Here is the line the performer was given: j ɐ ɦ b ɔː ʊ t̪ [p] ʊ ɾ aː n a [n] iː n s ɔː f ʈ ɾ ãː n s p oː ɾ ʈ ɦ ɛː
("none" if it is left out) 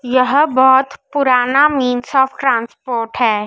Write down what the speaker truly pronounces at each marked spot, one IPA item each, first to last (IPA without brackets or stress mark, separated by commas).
p, m